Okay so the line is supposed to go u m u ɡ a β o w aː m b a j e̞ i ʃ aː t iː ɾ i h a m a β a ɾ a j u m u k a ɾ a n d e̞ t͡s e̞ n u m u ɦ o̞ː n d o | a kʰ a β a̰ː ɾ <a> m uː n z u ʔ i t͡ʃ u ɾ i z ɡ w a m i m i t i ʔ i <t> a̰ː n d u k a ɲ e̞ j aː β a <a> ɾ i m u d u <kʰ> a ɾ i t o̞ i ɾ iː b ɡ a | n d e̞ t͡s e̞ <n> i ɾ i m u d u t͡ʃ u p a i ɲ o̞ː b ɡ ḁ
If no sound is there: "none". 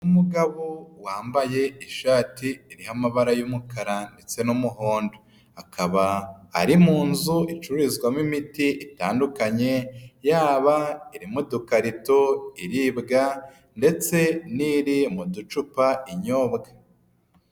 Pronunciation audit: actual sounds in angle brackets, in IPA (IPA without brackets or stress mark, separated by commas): i, t, i, k, n